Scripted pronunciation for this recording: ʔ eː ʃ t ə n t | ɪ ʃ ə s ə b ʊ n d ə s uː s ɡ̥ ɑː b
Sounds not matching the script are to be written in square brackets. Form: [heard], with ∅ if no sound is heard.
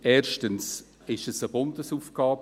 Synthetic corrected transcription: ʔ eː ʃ t ə n [s] | ɪ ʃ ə s ə b ʊ n d ə s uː [f] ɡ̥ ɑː b